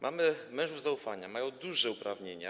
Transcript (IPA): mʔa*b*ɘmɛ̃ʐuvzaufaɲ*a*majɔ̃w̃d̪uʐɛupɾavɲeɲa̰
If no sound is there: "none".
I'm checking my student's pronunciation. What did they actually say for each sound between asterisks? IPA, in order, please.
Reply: m, a

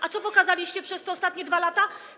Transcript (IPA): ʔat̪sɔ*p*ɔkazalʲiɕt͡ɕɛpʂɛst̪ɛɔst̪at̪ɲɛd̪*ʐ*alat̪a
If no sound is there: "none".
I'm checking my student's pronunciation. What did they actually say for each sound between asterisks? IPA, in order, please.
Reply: p, v

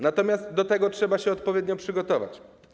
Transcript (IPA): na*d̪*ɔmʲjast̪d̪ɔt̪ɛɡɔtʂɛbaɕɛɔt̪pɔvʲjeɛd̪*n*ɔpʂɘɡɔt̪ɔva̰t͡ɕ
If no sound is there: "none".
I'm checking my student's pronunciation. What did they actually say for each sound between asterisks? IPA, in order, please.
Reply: t̪, ɲ

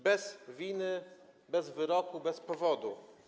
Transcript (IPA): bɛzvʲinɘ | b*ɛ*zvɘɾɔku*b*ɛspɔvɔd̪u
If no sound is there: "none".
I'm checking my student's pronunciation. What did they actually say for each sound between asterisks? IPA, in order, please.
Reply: ɛ, b

